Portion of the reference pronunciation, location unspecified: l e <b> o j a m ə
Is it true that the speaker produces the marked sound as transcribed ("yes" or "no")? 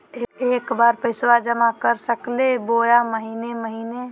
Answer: yes